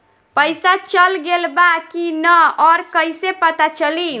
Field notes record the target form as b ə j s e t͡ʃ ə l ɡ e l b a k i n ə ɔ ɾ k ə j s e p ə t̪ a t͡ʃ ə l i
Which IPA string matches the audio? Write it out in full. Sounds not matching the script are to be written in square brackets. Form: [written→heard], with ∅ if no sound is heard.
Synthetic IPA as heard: [b→p] ə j s [e→a] t͡ʃ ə l ɡ e l b a k i n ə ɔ ɾ k ə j s e p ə t̪ a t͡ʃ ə l i